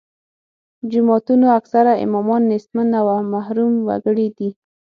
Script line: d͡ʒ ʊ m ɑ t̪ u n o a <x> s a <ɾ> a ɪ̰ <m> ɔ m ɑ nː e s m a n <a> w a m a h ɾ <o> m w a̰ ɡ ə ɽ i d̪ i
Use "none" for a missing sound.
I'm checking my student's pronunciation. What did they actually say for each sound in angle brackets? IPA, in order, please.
k, ɾ, m, a, u

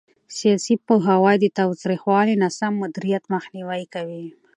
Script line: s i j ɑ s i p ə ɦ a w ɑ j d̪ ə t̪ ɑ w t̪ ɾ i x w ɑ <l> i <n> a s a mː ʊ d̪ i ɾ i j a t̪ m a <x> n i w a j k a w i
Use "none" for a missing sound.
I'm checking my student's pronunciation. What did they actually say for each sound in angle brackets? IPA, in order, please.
l, n, x

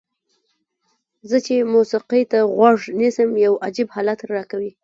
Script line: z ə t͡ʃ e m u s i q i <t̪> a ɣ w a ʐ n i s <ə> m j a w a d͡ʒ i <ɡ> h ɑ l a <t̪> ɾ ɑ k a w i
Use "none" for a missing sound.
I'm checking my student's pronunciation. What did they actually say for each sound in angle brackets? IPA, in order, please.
t̪, ə, b, t̪

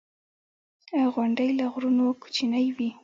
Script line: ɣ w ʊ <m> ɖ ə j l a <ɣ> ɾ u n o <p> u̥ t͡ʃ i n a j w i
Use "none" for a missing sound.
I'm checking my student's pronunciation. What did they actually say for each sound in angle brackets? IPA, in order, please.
ɳ, ɣ, k

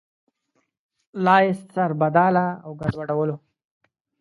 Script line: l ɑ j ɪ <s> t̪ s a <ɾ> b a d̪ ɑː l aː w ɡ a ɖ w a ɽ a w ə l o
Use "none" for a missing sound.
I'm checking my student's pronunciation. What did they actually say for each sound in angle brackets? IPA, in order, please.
s, ɾ

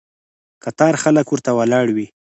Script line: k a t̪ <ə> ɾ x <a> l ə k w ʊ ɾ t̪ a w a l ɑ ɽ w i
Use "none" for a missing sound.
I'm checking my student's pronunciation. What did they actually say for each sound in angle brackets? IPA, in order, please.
ɑ, a

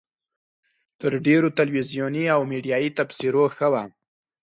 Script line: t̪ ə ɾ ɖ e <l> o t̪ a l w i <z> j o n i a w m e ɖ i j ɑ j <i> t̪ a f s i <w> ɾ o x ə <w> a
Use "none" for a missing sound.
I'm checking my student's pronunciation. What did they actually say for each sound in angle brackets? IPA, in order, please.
ɾ, z, i, none, w

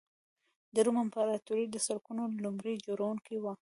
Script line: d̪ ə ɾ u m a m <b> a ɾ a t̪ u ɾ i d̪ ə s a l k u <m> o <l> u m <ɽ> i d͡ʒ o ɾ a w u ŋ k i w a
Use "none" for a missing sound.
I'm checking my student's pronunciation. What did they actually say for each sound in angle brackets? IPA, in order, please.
p, n, l, ɾ

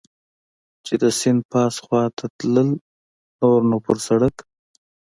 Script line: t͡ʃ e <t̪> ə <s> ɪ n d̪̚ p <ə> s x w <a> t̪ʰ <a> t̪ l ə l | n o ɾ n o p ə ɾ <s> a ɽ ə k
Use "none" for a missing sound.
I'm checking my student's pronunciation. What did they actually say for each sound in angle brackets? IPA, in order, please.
d̪, s, ɑ, ɑ, a, s

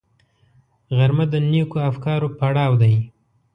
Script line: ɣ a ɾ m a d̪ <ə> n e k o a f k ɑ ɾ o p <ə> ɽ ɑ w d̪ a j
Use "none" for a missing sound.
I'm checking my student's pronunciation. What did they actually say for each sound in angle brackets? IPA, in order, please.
ə, a

